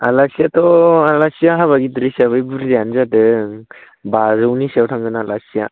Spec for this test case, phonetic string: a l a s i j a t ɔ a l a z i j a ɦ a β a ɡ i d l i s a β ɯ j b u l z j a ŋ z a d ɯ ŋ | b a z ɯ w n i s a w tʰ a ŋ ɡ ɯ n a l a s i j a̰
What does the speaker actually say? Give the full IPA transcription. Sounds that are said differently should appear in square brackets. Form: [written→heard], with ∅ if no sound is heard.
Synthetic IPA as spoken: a l a s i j a t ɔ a l a [z→s] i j a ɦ a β a ɡ i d [l→ɾ] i s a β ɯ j b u [l→ɾ] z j a [ŋ→n] z a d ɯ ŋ | b a z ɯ w n i s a w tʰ a ŋ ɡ ɯ n a l a s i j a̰